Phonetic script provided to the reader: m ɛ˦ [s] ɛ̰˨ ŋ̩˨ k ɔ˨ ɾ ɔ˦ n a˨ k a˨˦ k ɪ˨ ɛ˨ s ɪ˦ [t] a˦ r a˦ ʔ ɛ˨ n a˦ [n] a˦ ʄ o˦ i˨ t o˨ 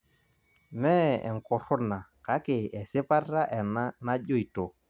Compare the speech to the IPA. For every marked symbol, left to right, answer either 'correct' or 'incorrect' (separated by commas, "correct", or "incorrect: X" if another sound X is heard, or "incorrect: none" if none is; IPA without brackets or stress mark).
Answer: incorrect: none, incorrect: p, correct